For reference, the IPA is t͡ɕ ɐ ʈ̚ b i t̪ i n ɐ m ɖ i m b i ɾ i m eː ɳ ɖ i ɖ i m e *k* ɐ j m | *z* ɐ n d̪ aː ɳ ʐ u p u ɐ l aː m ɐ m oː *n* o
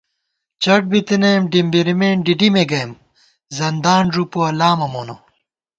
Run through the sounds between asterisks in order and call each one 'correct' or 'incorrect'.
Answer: incorrect, correct, correct

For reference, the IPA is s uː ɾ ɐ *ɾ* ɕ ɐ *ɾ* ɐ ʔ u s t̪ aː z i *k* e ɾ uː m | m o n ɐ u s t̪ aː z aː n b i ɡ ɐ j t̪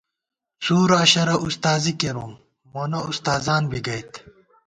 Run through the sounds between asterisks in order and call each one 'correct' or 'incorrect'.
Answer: incorrect, correct, correct

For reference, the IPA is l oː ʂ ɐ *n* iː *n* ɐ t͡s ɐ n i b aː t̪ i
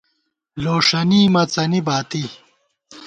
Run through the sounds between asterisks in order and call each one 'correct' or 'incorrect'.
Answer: correct, incorrect

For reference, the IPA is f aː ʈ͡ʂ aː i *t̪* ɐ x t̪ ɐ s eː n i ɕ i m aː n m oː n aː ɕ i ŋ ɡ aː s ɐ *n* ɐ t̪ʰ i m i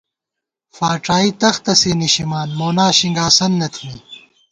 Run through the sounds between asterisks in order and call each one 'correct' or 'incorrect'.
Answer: correct, incorrect

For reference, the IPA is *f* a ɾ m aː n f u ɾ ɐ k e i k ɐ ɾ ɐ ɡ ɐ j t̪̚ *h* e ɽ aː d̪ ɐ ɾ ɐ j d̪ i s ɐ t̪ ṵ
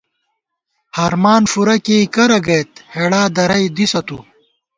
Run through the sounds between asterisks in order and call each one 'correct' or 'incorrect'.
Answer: incorrect, correct

